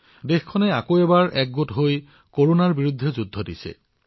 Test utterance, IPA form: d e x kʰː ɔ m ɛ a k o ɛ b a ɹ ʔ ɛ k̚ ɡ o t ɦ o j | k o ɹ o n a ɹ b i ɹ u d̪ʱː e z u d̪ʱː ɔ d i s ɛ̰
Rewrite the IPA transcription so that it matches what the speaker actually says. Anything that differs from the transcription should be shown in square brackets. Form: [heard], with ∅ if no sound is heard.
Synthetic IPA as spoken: d e x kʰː ɔ [n] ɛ a k o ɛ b a ɹ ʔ ɛ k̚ ɡ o t ɦ o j | k o ɹ o n a ɹ b i ɹ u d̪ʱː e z u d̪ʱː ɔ d i s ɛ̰

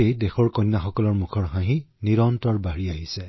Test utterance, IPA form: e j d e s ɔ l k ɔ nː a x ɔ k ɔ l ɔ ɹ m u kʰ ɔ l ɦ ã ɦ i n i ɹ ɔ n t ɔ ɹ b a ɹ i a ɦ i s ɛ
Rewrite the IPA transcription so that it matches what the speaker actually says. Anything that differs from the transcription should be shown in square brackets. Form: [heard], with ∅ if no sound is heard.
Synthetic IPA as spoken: e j d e [x] ɔ [ɹ] k ɔ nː a x ɔ k ɔ l ɔ ɹ m u kʰ ɔ [ɹ] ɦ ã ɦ i n i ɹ ɔ n t ɔ ɹ b a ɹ i a ɦ i s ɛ

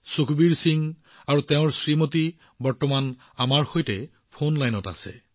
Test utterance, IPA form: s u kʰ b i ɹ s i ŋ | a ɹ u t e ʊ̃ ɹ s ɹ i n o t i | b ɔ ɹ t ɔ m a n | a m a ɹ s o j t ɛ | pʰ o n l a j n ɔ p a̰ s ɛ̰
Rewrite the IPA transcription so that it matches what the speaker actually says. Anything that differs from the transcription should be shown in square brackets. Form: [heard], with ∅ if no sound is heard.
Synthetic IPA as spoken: s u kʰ b i ɹ s i ŋ | a ɹ u t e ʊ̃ ɹ s ɹ i [m] o t i | b ɔ ɹ t ɔ m a n | a m a ɹ [x] o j t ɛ | pʰ o n l a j n ɔ [t] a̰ s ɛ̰

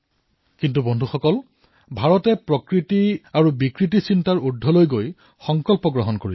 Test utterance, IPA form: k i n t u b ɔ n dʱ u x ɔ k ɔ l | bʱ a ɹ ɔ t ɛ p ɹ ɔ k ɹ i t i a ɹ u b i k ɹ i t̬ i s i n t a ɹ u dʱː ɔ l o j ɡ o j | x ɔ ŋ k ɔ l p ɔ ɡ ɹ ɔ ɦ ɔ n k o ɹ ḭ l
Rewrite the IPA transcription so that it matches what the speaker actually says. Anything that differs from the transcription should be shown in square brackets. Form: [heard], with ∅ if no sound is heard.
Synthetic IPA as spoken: k i n t u b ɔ n dʱ u x ɔ k ɔ l | bʱ a ɹ ɔ t ɛ p ɹ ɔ k ɹ i t i a ɹ u b i k ɹ i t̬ i s i n t a ɹ u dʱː ɔ l o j ɡ o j | x ɔ ŋ k ɔ l p ɔ ɡ ɹ ɔ ɦ ɔ n k o ɹ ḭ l

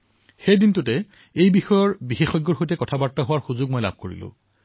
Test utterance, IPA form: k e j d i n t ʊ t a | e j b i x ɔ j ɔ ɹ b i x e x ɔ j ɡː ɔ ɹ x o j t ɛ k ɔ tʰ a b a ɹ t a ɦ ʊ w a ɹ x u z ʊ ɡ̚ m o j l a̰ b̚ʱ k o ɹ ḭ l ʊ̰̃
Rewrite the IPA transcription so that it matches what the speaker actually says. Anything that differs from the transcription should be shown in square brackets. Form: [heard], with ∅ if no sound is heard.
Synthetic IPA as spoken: [x] e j d i n t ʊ t [ɛ] | e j b i x ɔ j ɔ ɹ b i x e x ɔ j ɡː ɔ ɹ x o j t ɛ k ɔ tʰ a b a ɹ t a ɦ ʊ w a ɹ x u z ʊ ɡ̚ m o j l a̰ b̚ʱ k o ɹ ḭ l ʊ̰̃

